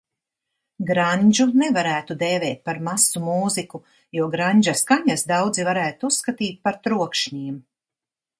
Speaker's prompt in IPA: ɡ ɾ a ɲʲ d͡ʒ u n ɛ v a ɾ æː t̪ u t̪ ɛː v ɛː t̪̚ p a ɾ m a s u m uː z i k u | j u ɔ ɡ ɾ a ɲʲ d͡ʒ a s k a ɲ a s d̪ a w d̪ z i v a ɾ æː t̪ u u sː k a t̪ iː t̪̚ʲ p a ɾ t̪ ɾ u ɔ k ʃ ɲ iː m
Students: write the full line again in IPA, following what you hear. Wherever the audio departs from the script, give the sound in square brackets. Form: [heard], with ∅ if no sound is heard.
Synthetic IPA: ɡ ɾ a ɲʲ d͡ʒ u n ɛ v a ɾ æː t̪ u [d̪] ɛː v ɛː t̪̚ p a ɾ m a s u m uː z i k u | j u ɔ ɡ ɾ a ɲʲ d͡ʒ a s k a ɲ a s d̪ a w d̪ z i v a ɾ æː t̪ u u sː k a t̪ iː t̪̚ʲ p a ɾ t̪ ɾ u ɔ k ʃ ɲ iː m